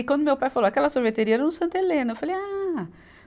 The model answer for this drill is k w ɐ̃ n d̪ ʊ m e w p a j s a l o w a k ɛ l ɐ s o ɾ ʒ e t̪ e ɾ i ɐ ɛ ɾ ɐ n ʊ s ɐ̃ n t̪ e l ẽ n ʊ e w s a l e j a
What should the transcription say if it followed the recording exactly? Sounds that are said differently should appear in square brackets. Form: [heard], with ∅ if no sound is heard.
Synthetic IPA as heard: k w ɐ̃ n d̪ ʊ m e w p a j [f] a l o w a k ɛ l ɐ s o ɾ [v] e t̪ e ɾ i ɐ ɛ ɾ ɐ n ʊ s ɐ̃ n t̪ e l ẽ n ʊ e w [f] a l e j a